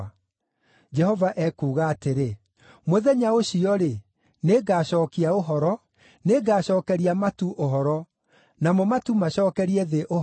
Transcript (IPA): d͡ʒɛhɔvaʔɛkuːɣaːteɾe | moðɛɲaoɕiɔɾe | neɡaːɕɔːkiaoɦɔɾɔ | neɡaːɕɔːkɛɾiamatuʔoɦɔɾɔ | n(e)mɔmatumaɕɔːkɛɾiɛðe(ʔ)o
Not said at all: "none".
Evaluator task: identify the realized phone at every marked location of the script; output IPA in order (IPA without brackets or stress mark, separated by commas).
a, ʔ